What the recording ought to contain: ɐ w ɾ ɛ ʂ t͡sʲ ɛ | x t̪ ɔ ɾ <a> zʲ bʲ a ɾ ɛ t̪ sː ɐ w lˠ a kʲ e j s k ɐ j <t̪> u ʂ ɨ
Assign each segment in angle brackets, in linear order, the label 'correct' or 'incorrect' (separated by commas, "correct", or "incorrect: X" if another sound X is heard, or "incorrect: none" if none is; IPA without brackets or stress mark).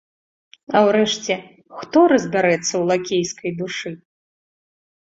incorrect: ɐ, incorrect: d̪